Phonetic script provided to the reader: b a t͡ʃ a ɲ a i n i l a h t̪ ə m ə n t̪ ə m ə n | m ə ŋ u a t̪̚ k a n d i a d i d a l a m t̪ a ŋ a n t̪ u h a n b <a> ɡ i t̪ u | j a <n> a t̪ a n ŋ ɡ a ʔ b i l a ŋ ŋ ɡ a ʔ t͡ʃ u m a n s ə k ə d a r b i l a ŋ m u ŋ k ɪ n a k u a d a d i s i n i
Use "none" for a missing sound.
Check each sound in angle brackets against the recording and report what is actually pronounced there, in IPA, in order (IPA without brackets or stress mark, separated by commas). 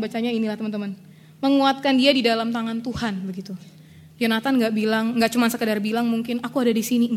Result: ə, n